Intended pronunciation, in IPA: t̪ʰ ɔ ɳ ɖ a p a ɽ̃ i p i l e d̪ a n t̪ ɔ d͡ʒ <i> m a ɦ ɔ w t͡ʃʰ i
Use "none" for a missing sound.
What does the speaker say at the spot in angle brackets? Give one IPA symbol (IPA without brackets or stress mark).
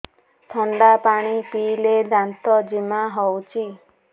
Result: i